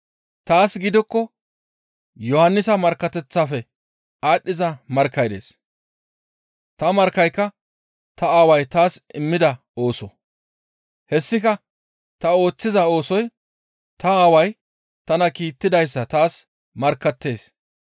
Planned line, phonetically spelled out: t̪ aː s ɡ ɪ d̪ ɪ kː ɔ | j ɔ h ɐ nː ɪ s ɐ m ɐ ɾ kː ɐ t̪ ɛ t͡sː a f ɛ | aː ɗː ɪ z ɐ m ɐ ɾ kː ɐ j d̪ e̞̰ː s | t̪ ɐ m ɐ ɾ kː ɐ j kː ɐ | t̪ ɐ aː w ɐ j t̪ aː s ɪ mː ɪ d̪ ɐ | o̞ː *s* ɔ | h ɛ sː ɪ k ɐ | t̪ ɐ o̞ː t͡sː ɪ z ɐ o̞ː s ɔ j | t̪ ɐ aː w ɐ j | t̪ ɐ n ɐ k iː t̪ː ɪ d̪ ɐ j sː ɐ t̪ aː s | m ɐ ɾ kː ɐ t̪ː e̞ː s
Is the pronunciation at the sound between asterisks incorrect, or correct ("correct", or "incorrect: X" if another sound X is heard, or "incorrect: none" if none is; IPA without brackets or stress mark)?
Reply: correct